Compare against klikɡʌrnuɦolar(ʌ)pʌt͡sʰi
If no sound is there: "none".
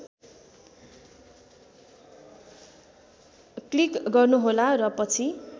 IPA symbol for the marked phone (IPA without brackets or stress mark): ʌ